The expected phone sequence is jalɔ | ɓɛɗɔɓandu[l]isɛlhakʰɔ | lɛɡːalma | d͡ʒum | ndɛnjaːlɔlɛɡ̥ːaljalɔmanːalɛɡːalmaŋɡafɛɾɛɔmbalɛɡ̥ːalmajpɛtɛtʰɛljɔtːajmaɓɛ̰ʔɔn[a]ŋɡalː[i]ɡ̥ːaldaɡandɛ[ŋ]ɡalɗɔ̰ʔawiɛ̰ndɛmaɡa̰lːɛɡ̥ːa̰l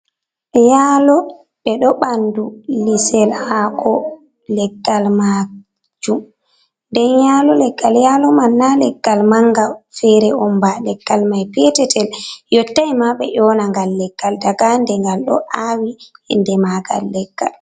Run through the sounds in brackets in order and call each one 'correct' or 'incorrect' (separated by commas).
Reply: correct, correct, incorrect, correct